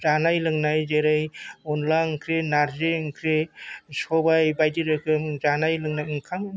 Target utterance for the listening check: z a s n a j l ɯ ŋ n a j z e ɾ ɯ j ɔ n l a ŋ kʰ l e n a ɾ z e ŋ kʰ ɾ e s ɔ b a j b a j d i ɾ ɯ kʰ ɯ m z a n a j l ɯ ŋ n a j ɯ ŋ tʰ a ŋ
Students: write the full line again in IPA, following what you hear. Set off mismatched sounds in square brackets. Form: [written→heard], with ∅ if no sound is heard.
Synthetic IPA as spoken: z a [s→∅] n a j l ɯ ŋ n a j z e ɾ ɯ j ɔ n l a ŋ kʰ [l→ɾ] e n a ɾ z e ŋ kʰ ɾ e s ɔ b a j b a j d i ɾ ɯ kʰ ɯ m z a n a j l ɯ ŋ n a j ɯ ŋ [tʰ→kʰ] a ŋ